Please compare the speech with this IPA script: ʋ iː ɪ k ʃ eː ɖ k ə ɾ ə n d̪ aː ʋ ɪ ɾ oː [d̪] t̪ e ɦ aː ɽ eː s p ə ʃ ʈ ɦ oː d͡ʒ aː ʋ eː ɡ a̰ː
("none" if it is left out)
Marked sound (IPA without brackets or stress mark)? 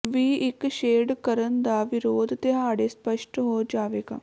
d̪